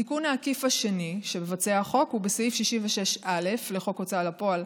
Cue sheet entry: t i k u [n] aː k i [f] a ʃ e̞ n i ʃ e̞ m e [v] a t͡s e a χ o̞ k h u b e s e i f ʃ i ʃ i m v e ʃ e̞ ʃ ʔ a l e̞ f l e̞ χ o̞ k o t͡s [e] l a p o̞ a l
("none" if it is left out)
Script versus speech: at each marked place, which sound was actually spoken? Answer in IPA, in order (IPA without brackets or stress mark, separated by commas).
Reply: n, f, v, a